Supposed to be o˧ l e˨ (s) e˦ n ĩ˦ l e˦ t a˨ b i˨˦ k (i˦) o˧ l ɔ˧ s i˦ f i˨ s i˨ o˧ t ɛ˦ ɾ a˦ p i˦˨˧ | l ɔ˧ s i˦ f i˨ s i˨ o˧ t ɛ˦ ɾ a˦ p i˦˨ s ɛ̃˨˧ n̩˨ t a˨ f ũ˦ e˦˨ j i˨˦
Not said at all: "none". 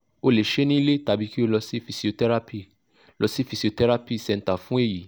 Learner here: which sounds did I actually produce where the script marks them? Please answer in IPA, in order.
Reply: ʃ, i˦

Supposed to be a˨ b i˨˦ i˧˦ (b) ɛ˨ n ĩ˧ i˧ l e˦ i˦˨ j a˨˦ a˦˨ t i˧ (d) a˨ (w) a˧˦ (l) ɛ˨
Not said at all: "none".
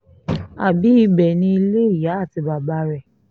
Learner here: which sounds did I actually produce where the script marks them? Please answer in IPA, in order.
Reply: b, b, b, ɾ

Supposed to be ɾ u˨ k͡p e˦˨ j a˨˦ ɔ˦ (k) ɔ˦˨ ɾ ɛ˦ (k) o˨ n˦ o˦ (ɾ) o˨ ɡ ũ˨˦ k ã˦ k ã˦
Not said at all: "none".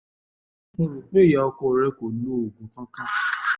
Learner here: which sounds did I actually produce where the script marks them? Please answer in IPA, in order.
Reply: k, k, none

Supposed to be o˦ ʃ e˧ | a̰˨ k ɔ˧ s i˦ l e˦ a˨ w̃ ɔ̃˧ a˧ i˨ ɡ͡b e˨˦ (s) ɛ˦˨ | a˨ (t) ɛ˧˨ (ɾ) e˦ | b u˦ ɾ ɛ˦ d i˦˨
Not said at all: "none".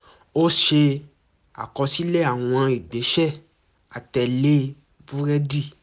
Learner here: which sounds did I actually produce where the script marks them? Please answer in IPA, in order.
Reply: ʃ, t, l

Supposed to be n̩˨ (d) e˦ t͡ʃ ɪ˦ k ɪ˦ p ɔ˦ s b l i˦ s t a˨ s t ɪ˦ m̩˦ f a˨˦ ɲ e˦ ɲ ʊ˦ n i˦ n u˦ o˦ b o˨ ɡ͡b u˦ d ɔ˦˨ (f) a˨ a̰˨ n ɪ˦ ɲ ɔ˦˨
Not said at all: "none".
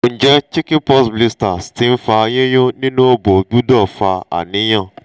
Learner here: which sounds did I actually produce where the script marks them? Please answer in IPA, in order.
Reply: d͡ʒ, f

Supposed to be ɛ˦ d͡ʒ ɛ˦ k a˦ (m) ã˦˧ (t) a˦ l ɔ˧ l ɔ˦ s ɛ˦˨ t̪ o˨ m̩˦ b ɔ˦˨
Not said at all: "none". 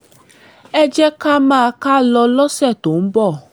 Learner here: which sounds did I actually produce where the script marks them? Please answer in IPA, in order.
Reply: m, k

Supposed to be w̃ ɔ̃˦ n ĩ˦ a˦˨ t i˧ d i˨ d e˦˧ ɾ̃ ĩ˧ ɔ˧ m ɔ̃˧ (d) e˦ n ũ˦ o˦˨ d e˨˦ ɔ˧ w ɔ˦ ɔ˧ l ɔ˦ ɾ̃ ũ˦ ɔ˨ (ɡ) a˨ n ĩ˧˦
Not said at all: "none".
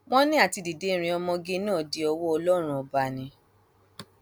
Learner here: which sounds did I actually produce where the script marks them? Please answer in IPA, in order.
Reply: ɡ, b

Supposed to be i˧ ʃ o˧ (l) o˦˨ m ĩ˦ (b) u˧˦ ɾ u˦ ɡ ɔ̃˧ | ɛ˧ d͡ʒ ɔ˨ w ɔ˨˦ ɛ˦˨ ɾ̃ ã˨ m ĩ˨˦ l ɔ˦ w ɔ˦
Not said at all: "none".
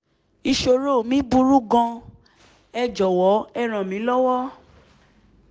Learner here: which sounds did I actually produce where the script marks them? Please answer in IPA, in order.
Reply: ɾ, b

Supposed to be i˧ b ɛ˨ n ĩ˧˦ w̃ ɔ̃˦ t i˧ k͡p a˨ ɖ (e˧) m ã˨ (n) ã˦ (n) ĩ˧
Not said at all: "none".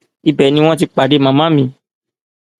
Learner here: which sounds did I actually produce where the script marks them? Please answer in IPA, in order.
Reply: e˧, m, m

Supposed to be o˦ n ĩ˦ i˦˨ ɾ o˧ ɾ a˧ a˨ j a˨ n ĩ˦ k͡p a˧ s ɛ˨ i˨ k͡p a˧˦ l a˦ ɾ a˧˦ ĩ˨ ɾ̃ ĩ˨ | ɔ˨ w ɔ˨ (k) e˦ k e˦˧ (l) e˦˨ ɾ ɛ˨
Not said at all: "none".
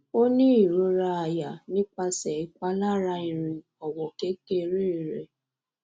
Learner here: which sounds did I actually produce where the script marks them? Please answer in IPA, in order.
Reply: k, ɾ

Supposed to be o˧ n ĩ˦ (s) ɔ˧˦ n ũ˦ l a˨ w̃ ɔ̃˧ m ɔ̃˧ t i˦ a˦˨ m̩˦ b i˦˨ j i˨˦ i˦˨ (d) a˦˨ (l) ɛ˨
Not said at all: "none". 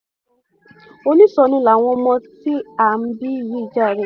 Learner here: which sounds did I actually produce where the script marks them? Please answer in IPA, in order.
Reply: s, d͡ʒ, ɾ

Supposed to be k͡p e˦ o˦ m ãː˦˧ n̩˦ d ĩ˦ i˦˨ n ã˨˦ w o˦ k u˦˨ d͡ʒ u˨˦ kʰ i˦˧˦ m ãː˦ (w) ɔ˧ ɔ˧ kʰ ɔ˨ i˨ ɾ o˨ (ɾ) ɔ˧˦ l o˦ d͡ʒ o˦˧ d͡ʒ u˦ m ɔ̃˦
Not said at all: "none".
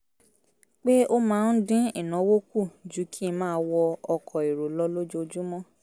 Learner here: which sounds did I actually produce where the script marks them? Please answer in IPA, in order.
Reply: w, l

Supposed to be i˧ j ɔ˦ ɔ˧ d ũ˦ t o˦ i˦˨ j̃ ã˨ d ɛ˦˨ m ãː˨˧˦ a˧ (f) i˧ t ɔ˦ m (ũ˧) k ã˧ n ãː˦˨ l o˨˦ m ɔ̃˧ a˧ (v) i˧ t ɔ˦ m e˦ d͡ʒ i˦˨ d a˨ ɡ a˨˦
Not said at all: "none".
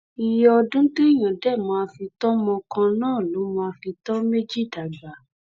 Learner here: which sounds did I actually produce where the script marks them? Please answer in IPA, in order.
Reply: f, ɔ̃˧, f

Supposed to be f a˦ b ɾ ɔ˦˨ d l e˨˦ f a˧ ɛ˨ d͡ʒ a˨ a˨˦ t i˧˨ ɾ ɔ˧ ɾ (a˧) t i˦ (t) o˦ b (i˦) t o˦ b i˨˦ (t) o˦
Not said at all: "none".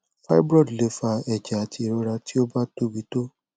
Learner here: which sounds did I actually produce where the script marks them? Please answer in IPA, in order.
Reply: a˧, none, a˦, t

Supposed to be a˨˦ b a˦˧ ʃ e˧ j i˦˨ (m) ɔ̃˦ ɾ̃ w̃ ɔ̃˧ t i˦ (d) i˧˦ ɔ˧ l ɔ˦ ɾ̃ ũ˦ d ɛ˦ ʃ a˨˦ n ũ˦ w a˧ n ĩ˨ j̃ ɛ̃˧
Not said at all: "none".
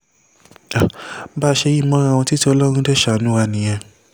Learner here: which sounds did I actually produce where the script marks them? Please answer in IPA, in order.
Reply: m, t

